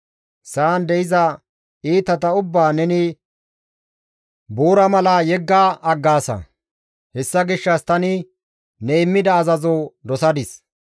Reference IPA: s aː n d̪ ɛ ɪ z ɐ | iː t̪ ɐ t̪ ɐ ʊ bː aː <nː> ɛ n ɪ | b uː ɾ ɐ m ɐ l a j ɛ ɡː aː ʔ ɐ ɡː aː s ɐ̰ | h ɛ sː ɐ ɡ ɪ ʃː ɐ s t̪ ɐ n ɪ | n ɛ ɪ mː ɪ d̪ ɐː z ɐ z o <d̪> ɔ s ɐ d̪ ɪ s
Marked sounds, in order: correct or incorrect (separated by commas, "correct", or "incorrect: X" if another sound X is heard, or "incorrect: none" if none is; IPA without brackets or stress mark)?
incorrect: n, correct